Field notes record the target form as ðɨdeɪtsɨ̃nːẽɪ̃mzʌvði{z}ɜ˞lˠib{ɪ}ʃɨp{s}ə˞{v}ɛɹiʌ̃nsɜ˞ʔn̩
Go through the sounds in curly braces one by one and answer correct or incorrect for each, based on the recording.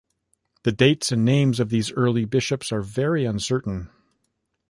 correct, correct, correct, correct

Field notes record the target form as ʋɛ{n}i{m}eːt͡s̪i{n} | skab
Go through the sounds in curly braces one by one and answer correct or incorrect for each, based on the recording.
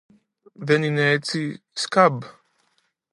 correct, incorrect, incorrect

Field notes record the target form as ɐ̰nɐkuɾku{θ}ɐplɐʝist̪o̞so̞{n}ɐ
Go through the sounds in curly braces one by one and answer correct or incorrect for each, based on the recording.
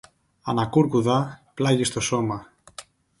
incorrect, incorrect

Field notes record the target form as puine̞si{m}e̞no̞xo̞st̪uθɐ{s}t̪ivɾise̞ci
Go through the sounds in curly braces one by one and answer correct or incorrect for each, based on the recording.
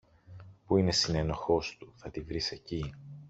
incorrect, incorrect

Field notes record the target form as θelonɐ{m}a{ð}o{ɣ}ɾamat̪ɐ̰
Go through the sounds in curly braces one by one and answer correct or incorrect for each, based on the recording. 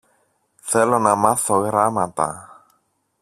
correct, incorrect, correct

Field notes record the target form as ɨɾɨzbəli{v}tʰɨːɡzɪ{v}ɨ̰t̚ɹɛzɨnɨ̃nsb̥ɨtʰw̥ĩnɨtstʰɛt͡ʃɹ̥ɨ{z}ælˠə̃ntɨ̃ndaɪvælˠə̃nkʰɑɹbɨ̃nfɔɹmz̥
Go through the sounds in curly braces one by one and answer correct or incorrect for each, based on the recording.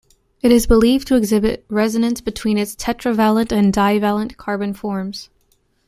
correct, incorrect, incorrect

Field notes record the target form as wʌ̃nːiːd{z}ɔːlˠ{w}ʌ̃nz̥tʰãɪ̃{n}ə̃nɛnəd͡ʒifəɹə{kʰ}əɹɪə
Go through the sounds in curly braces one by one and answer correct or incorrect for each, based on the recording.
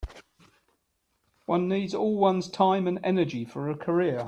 correct, correct, incorrect, correct

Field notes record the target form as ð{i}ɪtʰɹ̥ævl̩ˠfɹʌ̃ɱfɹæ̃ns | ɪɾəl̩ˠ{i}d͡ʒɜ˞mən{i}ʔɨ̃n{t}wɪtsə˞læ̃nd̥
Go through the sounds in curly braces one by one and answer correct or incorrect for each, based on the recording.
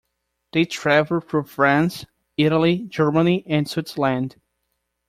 incorrect, correct, correct, incorrect

